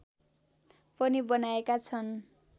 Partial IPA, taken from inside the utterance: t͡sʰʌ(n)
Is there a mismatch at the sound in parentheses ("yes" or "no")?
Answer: no